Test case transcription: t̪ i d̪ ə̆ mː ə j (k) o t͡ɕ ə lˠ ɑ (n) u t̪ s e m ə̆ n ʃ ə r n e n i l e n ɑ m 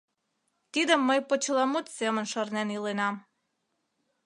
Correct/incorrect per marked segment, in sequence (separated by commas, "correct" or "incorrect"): incorrect, incorrect